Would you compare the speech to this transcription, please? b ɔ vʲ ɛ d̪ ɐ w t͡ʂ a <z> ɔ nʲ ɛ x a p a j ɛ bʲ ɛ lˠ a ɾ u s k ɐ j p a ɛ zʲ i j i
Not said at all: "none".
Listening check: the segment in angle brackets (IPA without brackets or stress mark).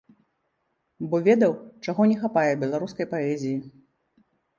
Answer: ɣ